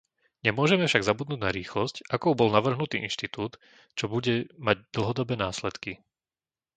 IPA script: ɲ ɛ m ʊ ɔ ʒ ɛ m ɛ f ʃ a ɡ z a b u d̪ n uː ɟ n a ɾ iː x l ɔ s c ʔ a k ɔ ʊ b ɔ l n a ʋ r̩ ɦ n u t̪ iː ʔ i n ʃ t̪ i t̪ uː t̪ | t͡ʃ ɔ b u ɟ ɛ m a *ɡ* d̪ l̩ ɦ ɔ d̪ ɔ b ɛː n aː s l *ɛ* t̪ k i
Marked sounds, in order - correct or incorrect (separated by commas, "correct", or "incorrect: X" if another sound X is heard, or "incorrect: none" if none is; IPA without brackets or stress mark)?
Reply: incorrect: ɟ, correct